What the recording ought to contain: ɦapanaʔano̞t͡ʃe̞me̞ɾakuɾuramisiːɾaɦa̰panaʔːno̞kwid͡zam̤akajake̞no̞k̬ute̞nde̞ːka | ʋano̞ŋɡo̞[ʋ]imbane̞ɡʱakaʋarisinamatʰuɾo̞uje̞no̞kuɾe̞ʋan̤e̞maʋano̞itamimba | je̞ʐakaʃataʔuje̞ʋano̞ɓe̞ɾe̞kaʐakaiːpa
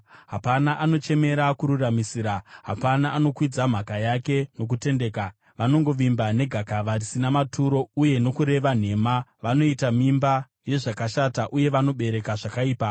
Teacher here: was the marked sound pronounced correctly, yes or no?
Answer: yes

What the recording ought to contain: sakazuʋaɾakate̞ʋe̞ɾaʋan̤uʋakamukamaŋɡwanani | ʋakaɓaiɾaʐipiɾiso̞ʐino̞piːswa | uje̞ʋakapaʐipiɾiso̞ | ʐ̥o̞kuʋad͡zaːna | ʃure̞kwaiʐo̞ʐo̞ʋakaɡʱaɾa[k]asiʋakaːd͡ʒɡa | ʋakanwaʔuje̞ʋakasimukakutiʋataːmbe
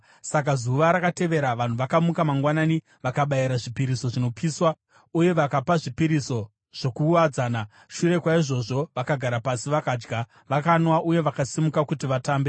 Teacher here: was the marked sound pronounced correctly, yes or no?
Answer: no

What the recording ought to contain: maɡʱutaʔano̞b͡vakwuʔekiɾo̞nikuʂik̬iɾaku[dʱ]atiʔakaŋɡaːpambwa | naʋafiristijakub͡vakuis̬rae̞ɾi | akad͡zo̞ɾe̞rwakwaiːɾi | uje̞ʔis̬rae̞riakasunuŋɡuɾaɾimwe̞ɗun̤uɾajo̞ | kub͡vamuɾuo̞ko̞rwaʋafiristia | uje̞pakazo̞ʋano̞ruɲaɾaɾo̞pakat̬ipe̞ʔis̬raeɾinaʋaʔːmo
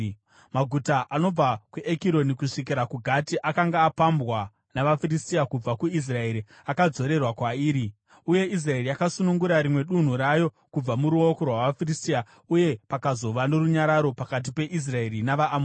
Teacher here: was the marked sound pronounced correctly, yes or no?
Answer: no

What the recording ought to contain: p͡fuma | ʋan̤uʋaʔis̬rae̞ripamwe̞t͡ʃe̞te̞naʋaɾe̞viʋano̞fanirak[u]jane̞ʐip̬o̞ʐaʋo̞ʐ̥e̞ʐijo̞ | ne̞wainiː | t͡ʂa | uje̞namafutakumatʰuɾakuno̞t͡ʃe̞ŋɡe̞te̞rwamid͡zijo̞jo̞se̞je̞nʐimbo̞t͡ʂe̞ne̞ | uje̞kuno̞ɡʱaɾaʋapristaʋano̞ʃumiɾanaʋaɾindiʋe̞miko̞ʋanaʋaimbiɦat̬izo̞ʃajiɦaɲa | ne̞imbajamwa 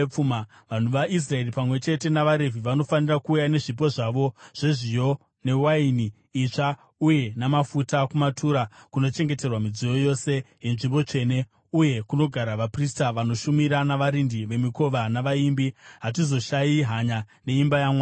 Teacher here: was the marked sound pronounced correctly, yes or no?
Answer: no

